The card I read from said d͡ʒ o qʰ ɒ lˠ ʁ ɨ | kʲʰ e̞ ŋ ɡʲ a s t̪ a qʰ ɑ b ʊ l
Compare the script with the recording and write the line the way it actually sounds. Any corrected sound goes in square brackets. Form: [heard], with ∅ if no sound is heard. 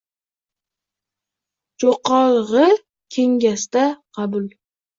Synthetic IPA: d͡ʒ o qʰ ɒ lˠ ʁ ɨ | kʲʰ e̞ ŋ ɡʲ a s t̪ a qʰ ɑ b ʊ l